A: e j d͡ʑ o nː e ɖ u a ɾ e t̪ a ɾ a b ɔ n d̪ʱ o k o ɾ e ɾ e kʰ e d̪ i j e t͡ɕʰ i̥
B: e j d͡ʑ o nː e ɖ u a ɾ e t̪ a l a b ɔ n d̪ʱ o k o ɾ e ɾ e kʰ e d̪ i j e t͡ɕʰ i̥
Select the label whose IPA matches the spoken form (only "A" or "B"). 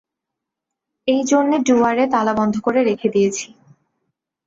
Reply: B